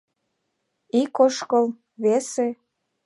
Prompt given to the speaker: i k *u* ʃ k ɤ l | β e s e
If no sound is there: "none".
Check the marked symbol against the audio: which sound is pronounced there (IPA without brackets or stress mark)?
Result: o